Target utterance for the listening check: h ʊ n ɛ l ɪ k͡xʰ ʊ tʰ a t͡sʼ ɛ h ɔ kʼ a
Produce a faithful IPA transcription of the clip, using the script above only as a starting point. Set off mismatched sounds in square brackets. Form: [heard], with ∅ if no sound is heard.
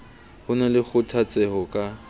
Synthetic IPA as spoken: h ʊ n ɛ l ɪ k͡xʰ ʊ tʰ a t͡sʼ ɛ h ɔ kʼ a